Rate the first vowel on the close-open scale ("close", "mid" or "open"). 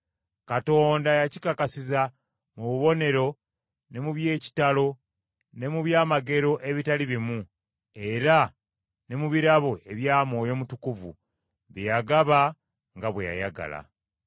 open